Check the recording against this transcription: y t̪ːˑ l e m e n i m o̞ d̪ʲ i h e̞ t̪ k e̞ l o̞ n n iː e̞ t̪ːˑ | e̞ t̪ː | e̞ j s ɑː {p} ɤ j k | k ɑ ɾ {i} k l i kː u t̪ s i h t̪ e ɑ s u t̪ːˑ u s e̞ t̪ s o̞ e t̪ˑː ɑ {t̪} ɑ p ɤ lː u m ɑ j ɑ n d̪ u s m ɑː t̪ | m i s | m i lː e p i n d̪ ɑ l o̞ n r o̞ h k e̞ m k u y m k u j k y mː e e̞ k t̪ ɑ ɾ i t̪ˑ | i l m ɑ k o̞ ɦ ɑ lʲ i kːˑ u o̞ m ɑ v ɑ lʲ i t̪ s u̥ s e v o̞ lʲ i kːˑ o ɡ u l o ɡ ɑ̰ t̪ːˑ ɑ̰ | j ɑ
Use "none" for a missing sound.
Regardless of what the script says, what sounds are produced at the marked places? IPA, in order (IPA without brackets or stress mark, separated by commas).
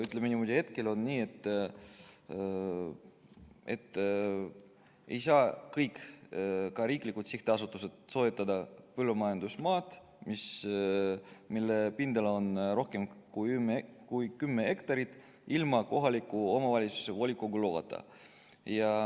k, iː, d̪